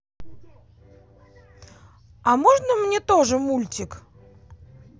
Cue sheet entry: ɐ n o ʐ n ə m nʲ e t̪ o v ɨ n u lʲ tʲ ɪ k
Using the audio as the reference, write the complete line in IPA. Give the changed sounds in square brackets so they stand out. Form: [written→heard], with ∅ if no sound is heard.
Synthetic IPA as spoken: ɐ [n→m] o ʐ n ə m nʲ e t̪ o [v→ʐ] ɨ [n→m] u lʲ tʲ ɪ k